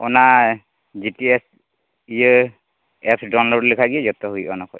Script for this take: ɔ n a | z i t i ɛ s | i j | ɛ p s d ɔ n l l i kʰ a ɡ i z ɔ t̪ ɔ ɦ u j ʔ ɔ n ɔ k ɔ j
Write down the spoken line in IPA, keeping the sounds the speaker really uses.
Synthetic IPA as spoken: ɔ n a | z i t i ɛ s | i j | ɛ p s d ɔ n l l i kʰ a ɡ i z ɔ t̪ ɔ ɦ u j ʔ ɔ n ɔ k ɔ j